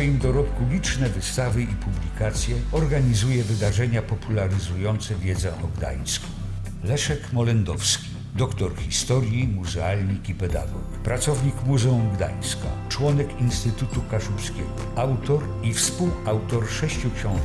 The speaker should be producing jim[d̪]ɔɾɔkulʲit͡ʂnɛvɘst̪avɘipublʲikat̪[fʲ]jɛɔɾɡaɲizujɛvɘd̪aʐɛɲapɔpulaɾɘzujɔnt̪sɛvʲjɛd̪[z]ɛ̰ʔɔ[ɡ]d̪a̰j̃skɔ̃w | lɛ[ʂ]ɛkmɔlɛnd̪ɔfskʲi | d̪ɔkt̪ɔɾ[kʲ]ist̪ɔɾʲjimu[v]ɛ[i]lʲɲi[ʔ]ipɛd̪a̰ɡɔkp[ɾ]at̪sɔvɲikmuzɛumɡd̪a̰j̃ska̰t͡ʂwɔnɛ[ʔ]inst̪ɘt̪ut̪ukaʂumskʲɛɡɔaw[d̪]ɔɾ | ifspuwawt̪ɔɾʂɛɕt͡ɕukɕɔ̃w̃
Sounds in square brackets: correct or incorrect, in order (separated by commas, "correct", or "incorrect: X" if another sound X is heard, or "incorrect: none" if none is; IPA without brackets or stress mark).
correct, incorrect: sʲ, correct, correct, correct, incorrect: xʲ, incorrect: z, incorrect: a, incorrect: k, correct, incorrect: k, incorrect: t̪